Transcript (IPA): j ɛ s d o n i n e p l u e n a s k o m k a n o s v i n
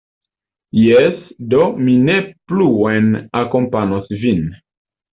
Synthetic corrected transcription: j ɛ s d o m i n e p l u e n a k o m p a n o s v i n